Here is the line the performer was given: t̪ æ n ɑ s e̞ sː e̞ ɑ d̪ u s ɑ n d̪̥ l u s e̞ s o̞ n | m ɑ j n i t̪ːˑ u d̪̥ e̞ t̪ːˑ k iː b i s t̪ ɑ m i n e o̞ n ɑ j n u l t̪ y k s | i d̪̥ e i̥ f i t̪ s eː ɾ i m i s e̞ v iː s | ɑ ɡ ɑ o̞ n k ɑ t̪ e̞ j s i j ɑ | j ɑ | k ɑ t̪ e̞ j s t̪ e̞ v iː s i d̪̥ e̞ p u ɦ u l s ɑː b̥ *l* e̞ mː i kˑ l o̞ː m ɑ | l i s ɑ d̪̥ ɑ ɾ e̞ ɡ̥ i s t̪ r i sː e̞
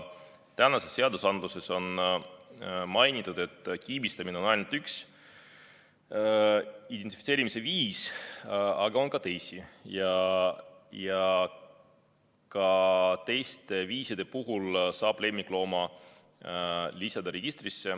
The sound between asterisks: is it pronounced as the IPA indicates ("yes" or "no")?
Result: yes